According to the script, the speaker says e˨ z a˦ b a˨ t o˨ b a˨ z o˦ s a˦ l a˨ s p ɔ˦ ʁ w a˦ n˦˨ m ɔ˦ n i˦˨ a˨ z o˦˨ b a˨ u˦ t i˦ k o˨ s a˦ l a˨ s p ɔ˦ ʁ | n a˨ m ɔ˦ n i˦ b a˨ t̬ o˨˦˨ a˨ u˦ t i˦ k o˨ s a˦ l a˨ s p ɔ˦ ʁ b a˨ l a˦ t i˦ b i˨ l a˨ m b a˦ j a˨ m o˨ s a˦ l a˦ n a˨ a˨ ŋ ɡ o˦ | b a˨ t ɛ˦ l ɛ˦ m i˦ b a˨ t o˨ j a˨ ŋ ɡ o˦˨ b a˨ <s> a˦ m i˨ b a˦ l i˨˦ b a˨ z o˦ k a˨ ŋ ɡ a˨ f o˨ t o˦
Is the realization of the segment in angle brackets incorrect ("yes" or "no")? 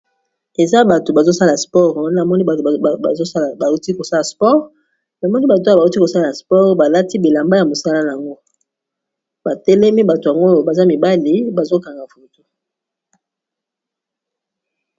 yes